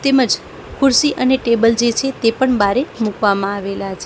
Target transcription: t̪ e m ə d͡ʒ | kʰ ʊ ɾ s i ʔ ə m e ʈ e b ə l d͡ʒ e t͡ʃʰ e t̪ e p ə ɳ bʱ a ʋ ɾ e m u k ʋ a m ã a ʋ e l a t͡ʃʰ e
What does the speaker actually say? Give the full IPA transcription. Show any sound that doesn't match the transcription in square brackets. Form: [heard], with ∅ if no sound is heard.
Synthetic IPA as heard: t̪ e m ə d͡ʒ | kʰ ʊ ɾ s i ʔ ə [n] e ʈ e b ə l d͡ʒ e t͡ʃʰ e t̪ e p ə ɳ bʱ a [∅] ɾ e m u k ʋ a m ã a ʋ e l a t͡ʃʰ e